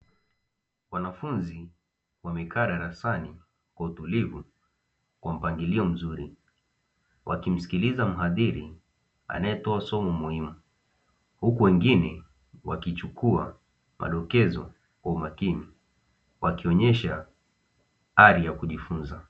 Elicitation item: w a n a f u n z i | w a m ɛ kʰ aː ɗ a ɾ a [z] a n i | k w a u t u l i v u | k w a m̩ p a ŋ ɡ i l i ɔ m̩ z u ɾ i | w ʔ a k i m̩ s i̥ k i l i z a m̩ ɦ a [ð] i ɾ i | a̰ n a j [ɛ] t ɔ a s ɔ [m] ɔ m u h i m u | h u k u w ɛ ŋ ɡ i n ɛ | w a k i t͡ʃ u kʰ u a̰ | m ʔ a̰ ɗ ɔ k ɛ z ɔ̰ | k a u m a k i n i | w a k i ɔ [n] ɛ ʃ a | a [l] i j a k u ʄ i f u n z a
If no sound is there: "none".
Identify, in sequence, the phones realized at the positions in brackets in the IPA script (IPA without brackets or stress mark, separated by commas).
s, ð, ɛ, m, ɲ, ɾ